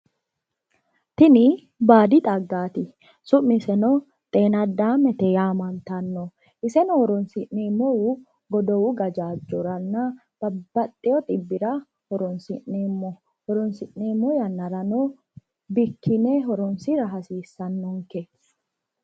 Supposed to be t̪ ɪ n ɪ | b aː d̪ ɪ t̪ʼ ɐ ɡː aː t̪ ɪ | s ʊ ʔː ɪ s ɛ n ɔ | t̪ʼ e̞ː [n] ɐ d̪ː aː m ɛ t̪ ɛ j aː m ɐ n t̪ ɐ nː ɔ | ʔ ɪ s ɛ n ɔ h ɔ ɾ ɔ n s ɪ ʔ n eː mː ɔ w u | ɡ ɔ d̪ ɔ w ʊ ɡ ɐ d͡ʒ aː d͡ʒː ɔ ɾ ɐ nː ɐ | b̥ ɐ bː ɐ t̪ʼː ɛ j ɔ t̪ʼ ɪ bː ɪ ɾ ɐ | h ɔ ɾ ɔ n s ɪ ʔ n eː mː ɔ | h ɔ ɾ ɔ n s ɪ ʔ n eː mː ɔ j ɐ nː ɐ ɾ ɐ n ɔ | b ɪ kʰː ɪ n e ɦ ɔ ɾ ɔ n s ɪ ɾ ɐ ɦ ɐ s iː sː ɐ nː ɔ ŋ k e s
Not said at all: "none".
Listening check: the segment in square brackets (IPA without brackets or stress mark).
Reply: n